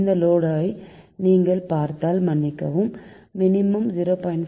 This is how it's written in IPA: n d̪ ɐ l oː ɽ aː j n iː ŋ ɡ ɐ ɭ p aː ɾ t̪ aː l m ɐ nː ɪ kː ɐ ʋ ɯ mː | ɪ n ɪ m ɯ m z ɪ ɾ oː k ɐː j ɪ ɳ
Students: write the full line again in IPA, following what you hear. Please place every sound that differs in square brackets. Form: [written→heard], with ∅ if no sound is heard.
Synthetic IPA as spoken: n d̪ ɐ l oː ɽ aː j n iː ŋ ɡ ɐ ɭ p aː ɾ t̪ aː l m ɐ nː ɪ kː ɐ ʋ ɯ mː | ɪ n ɪ m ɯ m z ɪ ɾ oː [k→p] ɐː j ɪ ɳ